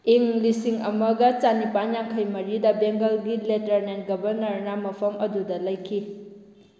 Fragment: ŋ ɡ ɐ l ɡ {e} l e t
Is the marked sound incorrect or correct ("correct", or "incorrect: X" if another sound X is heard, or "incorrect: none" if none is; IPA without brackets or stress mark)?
incorrect: i